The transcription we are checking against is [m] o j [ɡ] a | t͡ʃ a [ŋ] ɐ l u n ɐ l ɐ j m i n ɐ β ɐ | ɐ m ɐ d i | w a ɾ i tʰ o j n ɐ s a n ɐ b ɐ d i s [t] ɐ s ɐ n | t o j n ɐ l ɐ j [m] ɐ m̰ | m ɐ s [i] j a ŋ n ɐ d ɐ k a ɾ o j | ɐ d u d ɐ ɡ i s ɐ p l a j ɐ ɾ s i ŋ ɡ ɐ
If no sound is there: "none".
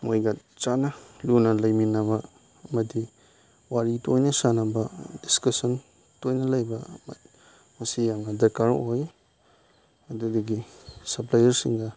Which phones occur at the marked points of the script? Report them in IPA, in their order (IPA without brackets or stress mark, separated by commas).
m, ɡ, n, k, b, i